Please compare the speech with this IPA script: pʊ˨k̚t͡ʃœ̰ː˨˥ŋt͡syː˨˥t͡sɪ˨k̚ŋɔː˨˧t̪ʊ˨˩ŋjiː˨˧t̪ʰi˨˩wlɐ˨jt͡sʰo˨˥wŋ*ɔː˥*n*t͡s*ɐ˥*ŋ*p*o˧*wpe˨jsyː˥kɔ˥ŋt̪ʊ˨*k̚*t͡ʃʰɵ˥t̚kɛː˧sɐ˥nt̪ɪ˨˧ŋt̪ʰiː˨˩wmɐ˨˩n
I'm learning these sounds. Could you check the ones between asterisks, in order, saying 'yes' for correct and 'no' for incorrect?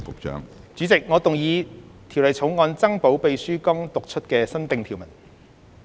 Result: no, yes, yes, no, yes

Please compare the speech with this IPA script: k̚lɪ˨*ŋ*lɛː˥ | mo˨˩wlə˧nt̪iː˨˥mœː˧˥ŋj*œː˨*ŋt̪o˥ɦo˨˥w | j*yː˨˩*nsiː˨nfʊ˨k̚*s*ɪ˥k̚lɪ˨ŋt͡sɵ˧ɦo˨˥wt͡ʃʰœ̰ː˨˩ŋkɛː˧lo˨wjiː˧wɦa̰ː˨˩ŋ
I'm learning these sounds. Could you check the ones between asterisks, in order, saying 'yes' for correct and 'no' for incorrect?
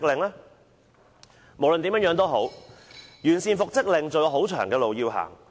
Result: yes, no, yes, no

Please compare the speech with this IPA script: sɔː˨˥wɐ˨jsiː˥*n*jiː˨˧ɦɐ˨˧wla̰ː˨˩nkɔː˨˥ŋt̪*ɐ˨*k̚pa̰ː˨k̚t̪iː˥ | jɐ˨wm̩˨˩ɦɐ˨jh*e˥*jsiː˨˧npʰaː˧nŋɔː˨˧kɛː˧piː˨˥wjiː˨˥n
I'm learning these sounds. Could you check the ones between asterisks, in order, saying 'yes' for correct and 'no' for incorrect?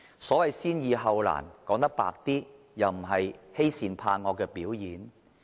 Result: yes, no, yes

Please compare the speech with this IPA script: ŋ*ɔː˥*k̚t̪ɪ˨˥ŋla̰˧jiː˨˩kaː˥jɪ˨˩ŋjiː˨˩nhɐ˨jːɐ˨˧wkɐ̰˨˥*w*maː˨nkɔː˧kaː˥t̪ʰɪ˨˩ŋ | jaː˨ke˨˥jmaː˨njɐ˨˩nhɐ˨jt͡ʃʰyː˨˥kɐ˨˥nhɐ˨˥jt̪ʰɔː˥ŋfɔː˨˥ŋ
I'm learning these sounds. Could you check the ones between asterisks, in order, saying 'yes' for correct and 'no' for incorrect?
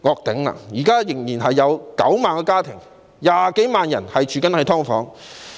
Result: no, yes

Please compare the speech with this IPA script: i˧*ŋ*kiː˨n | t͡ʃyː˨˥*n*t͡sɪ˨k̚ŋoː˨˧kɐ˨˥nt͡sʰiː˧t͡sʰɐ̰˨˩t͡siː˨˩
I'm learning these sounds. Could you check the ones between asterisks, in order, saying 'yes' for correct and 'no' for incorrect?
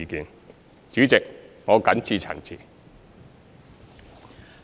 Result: no, no

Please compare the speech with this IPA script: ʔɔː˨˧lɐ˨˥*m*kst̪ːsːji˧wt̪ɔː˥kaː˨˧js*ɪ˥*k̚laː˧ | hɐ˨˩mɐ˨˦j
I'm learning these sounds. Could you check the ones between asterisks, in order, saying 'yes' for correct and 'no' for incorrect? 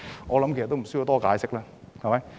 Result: yes, yes

